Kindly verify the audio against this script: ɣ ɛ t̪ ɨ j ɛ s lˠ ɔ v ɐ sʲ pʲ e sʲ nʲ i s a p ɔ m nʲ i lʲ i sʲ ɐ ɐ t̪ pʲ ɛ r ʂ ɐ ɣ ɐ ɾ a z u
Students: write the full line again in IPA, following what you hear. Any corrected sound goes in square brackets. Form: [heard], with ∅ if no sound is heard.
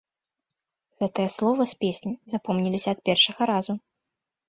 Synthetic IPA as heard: ɣ ɛ t̪ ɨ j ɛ s lˠ ɔ v ɐ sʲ pʲ e sʲ nʲ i [z] a p ɔ m nʲ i lʲ i sʲ ɐ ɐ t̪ pʲ ɛ r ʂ ɐ ɣ ɐ ɾ a z u